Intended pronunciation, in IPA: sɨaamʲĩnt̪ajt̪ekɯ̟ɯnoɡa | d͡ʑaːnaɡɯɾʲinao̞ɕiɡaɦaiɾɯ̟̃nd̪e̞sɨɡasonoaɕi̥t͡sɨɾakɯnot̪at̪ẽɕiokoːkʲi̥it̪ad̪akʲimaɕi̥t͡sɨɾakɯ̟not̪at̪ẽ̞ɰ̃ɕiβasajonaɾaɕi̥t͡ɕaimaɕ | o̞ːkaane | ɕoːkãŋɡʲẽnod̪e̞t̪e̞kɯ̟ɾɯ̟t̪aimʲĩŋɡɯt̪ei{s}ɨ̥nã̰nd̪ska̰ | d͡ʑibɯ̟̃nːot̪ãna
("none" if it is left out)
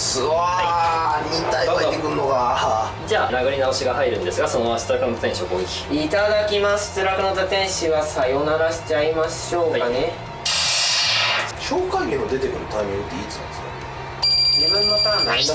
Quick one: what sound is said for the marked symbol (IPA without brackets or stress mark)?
t͡s